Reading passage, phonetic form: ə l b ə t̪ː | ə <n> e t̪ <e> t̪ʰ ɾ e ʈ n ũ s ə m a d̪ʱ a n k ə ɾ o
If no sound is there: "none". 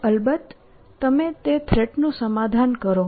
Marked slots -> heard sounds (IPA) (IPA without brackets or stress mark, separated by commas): m, e